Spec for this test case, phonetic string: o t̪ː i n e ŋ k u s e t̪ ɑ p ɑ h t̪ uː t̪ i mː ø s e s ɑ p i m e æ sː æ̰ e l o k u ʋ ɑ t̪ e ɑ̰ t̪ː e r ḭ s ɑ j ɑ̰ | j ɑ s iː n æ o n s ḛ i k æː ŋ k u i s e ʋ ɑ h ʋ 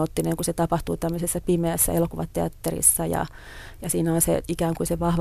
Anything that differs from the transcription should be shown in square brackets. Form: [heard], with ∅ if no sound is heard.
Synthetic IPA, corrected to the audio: o t̪ː i n e ŋ k u s e t̪ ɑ p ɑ h t̪ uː t̪ [æ] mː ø s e [sː] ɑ p i m e æ sː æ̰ e l o k u ʋ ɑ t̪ e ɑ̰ t̪ː e r ḭ [sː] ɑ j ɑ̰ | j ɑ s iː n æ o n s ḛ i k æː ŋ k u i s e ʋ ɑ h ʋ